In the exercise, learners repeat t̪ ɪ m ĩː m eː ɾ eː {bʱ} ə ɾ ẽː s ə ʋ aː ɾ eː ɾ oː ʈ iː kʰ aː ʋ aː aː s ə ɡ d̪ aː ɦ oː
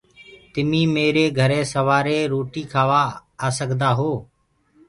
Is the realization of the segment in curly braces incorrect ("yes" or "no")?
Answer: yes